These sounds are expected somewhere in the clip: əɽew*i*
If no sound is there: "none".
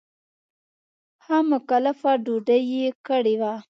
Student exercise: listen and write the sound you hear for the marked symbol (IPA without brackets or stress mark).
a